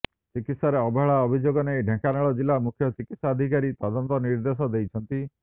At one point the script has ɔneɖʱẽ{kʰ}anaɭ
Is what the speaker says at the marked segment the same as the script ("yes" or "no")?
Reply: no